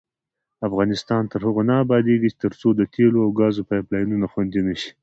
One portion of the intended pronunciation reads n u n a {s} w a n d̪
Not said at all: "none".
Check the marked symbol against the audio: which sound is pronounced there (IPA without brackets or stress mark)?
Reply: x